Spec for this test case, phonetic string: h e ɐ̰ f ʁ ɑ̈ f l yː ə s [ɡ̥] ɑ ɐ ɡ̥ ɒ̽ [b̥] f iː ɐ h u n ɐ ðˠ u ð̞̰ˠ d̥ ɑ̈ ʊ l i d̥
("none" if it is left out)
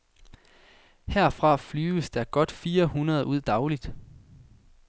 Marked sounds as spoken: d̥, d̥

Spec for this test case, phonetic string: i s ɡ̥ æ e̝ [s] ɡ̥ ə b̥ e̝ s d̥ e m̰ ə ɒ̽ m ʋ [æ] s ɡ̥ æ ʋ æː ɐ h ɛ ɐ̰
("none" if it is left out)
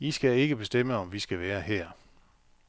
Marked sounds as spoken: none, i

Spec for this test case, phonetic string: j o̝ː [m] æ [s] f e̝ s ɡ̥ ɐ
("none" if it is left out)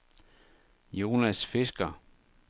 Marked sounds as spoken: n, s

